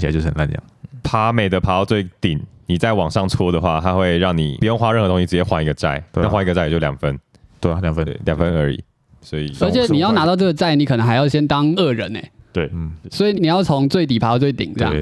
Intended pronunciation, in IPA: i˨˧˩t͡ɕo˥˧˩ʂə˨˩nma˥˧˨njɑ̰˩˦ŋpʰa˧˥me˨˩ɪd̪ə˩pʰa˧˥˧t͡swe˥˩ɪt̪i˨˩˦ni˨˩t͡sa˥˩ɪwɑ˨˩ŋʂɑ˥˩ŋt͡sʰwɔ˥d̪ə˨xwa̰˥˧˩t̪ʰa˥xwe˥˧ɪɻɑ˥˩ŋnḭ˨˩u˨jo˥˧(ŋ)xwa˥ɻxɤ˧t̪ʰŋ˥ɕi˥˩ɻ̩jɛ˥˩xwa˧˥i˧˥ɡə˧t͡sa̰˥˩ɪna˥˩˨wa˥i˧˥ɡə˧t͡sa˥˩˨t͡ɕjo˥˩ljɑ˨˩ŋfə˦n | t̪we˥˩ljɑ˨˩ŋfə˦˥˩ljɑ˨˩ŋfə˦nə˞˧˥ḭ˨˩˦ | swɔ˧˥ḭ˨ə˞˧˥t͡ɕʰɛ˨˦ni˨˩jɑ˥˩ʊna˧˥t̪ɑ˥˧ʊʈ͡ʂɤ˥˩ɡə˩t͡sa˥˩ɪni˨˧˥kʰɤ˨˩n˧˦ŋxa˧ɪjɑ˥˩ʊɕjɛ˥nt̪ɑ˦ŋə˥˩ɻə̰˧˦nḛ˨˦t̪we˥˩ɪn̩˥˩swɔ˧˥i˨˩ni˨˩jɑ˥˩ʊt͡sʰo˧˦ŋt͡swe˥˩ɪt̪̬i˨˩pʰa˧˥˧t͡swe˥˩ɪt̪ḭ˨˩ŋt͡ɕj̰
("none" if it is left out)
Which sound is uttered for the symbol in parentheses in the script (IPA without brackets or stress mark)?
ŋ